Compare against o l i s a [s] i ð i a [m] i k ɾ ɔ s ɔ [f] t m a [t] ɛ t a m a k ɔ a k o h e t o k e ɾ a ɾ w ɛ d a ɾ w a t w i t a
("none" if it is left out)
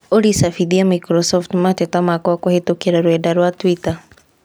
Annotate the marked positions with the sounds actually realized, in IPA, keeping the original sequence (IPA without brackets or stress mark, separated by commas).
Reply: f, m, f, t